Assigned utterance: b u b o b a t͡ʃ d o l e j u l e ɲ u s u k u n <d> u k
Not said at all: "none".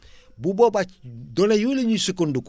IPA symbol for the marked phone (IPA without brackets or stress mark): d